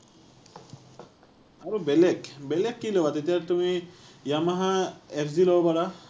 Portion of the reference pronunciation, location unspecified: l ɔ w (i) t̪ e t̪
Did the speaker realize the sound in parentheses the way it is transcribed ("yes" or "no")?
no